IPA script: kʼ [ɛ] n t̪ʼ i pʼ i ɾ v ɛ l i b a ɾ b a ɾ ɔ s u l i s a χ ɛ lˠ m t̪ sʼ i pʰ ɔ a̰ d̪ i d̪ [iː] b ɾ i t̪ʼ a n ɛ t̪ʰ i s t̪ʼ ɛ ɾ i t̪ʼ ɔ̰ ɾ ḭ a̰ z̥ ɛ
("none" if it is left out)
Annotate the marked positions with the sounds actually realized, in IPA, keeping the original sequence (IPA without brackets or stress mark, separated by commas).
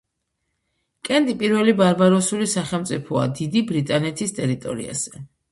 ɛ, i